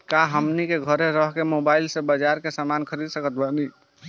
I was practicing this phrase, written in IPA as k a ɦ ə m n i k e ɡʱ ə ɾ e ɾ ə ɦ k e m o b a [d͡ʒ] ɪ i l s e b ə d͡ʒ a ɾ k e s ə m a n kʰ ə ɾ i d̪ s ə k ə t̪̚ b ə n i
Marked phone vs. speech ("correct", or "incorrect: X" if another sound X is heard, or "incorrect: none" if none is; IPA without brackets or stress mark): incorrect: none